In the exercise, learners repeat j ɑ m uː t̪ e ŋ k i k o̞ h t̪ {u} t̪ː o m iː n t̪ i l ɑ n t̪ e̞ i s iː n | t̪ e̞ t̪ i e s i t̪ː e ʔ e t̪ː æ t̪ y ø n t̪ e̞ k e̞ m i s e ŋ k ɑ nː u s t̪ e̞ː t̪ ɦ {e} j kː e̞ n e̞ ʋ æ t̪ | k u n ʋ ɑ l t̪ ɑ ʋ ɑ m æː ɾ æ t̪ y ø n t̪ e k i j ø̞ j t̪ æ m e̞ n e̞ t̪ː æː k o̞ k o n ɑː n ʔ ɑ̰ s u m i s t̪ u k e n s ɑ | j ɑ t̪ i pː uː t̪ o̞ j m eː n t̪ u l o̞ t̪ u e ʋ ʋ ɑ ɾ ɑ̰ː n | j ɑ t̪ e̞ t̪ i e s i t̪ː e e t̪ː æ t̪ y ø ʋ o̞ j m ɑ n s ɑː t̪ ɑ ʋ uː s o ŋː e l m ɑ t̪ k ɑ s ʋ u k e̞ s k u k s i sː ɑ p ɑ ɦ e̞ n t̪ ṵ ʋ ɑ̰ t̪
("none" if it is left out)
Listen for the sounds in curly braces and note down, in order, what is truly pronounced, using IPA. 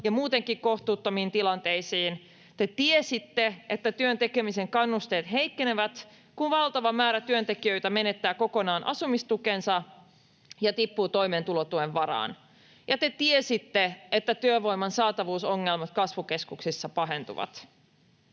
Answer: uː, e

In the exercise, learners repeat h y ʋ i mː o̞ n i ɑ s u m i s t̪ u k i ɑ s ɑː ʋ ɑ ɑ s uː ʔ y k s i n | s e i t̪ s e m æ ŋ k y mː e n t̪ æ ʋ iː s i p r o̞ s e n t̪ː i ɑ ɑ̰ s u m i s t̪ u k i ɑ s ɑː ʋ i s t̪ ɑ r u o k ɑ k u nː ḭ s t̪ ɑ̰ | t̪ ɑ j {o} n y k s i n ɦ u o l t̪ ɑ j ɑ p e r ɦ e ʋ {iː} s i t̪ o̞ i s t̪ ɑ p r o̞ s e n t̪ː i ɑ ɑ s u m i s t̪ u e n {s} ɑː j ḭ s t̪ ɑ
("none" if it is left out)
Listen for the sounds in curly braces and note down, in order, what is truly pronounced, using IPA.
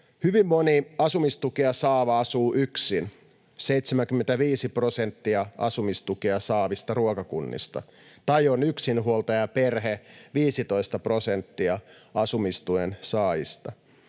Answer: o, iː, s

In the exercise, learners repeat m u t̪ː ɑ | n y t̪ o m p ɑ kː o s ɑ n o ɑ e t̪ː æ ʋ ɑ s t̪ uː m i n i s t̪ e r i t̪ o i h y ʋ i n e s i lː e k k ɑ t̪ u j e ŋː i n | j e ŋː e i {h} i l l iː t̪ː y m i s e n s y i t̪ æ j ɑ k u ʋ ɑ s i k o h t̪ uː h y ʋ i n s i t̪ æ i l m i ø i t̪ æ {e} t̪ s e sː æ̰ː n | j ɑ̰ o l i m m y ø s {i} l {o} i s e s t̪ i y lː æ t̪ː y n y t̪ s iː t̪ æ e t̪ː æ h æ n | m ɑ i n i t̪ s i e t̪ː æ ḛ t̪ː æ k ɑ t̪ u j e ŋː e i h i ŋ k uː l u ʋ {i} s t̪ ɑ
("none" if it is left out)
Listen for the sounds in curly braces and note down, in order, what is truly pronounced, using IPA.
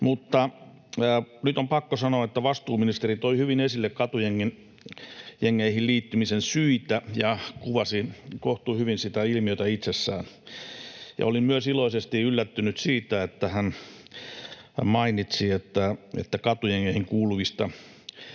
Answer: h, i, i, o, i

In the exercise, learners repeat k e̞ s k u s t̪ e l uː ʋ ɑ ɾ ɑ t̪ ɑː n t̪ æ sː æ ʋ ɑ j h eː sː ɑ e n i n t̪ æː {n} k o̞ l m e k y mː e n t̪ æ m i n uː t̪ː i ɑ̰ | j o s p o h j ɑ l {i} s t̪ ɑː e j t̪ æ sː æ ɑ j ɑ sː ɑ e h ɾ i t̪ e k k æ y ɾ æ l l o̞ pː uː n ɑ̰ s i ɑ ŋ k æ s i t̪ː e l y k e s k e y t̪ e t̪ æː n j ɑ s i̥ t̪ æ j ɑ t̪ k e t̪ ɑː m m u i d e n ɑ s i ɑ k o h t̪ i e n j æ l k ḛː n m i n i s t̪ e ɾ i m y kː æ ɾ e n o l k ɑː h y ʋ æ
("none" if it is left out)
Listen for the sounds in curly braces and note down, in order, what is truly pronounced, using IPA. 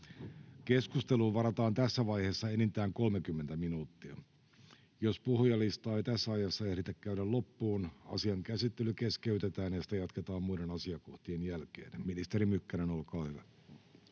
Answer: ŋ, i

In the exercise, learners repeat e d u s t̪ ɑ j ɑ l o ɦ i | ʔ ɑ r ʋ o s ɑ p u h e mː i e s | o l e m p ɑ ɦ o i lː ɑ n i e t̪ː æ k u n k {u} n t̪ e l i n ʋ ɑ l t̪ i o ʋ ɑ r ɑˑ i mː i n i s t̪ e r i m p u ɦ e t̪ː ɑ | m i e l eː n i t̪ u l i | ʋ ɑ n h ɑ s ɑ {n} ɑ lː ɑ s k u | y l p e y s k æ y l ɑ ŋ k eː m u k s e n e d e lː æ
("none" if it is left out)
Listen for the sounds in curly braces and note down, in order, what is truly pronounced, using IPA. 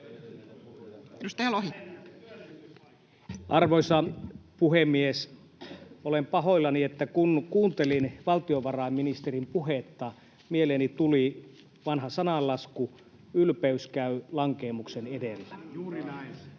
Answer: uː, n

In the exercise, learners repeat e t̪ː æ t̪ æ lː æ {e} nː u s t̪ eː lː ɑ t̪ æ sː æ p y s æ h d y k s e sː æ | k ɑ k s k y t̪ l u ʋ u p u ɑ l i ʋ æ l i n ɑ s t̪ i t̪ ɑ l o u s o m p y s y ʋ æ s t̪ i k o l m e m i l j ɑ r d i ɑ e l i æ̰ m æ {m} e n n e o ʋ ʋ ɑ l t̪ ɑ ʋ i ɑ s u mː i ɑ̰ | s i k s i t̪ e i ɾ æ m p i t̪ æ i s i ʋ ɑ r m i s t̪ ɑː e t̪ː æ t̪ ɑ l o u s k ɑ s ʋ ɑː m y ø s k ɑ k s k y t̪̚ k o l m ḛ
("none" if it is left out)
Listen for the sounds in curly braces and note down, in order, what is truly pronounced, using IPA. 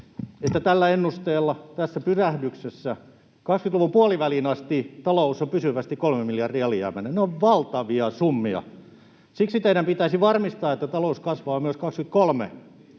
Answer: e, n

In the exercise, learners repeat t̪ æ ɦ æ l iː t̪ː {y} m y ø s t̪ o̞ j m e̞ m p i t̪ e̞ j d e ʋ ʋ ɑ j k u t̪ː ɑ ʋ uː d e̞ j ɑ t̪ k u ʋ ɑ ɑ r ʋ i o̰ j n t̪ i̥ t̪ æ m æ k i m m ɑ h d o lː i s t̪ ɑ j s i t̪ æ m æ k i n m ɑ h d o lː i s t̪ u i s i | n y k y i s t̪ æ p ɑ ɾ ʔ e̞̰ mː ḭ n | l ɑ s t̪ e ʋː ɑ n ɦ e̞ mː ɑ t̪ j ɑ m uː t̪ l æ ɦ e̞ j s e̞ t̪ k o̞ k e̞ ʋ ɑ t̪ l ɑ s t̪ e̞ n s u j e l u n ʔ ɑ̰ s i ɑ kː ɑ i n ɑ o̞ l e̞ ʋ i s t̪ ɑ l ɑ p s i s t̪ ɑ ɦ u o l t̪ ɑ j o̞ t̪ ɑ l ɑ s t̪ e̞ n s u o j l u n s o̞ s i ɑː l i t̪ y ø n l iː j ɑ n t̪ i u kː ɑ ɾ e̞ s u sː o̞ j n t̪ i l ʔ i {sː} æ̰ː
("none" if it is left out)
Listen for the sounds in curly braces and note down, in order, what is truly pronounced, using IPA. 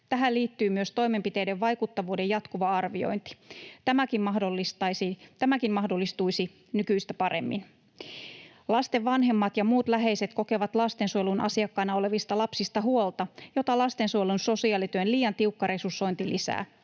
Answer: yː, s

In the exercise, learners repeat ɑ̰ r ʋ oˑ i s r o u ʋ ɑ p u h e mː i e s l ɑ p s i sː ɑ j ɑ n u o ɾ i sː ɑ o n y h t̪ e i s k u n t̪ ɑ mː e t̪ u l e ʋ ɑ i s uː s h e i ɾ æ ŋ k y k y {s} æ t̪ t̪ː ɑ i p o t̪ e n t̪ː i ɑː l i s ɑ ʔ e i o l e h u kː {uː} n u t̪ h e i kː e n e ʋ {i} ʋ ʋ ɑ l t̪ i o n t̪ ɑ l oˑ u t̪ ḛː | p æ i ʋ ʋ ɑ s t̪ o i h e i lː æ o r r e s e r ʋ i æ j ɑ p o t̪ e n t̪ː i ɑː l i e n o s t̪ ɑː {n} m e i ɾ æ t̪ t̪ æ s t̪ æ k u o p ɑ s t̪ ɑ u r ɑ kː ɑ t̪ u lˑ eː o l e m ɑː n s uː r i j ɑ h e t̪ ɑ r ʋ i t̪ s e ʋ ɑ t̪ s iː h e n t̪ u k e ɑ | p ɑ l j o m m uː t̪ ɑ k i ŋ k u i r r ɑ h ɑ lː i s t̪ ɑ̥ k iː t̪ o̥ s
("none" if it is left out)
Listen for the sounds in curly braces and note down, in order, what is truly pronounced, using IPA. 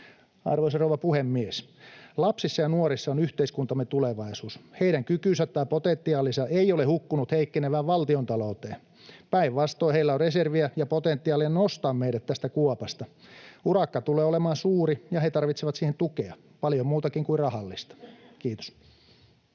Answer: s, u, æ, m

